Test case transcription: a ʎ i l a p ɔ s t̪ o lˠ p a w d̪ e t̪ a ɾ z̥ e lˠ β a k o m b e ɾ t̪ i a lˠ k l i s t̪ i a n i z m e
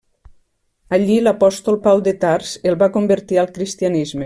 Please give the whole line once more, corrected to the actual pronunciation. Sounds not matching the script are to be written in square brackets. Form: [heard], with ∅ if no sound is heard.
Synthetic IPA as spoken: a ʎ i l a p ɔ s t̪ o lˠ p a w d̪ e t̪ a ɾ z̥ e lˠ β a k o m b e ɾ t̪ i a lˠ k [ɾ] i s t̪ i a n i z m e